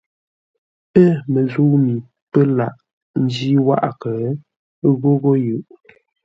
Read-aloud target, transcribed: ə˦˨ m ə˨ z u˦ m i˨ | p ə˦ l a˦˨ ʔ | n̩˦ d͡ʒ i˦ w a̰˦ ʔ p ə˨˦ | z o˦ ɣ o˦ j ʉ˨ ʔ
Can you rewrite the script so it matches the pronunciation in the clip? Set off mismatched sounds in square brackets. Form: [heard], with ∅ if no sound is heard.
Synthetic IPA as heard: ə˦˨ m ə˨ z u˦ m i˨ | p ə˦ l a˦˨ ʔ | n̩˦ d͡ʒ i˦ w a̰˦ ʔ [k] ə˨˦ | [ɣ] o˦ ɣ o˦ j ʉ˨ ʔ